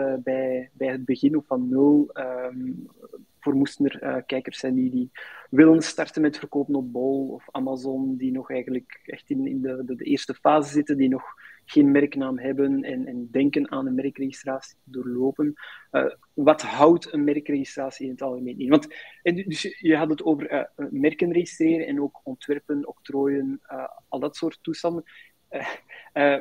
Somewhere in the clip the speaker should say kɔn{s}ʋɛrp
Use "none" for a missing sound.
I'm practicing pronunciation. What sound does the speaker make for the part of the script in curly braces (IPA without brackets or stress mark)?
t